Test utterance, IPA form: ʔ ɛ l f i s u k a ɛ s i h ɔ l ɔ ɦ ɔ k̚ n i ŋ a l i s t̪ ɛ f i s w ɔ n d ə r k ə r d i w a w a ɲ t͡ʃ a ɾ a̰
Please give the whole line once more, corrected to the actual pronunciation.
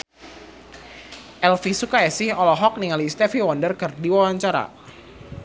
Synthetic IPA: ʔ ɛ l f i s u k a ɛ s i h ɔ l ɔ ɦ ɔ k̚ n i ŋ a l i s t̪ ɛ f i w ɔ n d ə r k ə r d i w a w a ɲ t͡ʃ a ɾ a̰